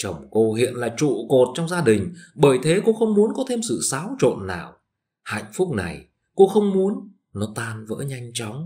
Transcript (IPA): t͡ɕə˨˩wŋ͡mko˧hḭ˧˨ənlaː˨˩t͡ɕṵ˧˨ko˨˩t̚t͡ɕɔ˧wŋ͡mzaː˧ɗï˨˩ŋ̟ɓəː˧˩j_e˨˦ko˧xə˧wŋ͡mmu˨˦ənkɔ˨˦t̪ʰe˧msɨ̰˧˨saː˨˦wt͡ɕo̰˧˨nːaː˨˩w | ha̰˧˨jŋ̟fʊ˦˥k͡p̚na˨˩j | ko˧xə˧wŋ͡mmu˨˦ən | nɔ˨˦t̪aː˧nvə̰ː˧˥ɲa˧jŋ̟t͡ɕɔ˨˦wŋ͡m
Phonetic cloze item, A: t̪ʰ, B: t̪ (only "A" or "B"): A